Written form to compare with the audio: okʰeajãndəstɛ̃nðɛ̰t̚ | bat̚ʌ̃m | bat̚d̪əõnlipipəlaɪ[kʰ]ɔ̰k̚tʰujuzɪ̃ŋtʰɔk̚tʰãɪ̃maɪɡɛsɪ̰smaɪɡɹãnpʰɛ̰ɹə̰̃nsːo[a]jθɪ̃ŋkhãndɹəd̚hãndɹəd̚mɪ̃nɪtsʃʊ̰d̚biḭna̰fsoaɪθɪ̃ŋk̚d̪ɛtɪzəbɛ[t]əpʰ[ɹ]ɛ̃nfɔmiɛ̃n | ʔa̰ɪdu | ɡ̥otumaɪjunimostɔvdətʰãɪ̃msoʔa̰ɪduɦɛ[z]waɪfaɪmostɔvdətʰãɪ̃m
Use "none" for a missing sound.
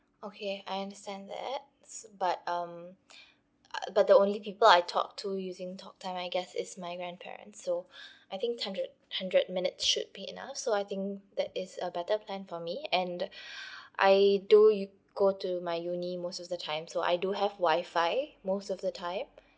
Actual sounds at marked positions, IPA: tʰ, a, t, l, v

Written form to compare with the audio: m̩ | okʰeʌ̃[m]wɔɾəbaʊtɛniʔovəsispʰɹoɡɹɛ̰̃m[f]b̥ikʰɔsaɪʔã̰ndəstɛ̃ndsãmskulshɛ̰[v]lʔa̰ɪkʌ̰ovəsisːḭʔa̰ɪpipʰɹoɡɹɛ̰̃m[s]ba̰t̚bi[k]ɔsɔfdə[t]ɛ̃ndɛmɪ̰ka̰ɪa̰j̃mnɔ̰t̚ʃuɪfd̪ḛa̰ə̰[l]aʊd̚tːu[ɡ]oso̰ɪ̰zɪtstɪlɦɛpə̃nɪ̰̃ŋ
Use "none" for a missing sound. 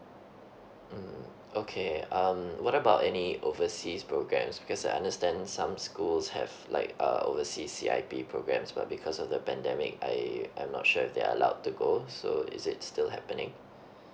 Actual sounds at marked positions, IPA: m, s, v, s, kʰ, p, l, ɡ

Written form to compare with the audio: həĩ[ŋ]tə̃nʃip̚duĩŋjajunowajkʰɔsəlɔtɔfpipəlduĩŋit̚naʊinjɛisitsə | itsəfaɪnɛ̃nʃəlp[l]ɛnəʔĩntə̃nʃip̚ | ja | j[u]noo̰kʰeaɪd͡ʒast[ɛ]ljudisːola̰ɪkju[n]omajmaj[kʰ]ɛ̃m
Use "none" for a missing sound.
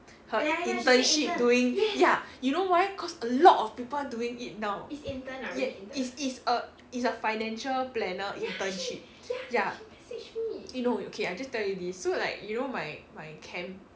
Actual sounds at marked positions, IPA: n, l, u, ɛ, n, kʰ

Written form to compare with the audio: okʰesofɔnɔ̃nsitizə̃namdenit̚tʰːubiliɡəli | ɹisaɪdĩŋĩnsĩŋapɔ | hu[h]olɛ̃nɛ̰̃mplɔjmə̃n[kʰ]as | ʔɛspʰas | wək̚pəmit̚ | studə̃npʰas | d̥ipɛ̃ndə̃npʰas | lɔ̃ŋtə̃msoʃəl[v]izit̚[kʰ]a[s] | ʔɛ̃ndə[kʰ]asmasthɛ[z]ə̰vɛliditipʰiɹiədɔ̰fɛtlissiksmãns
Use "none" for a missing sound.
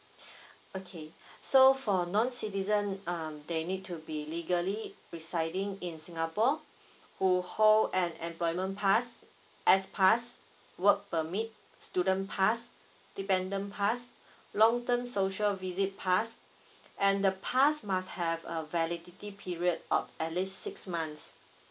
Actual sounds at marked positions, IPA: h, pʰ, v, pʰ, s, pʰ, v

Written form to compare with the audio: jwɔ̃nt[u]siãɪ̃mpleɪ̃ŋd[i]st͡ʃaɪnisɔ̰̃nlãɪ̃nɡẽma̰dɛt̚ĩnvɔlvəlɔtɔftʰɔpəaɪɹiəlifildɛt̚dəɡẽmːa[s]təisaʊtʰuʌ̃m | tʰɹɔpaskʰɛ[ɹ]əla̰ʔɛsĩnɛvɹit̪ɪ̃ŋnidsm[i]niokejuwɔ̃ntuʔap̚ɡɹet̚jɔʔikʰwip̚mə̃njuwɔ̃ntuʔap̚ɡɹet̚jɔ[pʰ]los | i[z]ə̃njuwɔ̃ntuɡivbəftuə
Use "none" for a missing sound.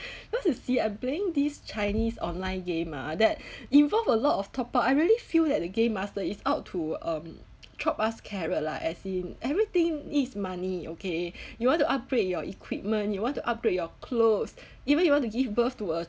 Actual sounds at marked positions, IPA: u, i, s, ɹ, a, kʰ, v

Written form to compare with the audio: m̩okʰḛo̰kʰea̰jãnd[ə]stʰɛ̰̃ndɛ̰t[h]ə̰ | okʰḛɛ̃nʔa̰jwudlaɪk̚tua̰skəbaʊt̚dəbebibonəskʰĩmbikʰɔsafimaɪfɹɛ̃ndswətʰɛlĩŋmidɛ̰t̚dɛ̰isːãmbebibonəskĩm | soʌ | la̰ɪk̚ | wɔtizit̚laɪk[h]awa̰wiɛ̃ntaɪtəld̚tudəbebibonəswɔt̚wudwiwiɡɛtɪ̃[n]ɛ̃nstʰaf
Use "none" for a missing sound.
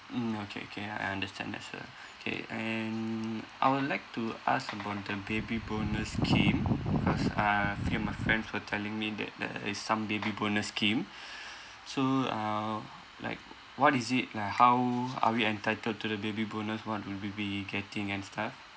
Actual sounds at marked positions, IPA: ə, s, h, ŋ

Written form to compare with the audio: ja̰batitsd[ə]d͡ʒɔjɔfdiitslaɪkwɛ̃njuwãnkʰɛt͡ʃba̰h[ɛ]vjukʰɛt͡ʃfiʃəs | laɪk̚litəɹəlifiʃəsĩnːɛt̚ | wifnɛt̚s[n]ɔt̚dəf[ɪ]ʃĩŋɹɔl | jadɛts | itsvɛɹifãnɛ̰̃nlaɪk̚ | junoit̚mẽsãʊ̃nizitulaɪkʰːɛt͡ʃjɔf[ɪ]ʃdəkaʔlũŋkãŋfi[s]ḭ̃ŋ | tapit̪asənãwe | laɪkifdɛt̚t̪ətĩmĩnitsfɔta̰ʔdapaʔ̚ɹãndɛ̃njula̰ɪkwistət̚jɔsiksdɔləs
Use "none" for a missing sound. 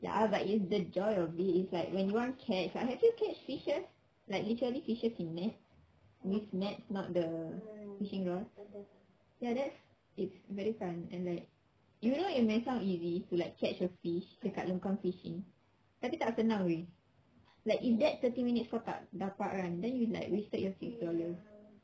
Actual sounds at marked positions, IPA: ə, ɛ, n, i, i, ʃ

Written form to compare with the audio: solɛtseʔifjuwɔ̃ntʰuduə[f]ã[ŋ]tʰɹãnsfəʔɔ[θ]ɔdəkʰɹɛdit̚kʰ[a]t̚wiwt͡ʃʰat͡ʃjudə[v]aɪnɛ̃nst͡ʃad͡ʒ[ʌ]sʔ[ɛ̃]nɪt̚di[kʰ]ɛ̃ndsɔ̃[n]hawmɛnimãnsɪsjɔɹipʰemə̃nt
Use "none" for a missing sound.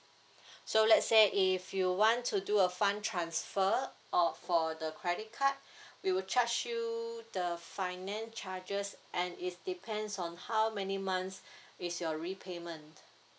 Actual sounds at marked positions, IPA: f, n, f, a, f, ə, ɛ̃, pʰ, n

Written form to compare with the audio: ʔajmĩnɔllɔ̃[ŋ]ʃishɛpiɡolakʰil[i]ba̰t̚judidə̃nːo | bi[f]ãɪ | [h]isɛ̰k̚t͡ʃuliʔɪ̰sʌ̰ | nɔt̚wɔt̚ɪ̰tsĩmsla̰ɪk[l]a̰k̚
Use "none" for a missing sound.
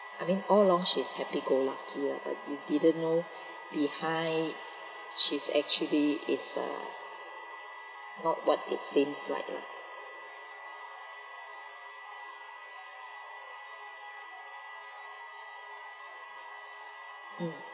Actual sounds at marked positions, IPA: ŋ, a, h, ʃ, l

